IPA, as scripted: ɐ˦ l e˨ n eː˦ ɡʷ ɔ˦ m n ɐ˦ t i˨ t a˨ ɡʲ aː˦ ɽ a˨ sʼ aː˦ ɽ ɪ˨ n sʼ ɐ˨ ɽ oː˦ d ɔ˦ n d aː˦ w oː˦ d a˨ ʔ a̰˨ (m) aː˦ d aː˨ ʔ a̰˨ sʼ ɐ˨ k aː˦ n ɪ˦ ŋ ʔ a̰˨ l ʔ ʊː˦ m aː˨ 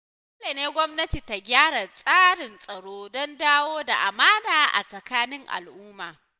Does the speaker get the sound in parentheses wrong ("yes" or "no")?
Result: no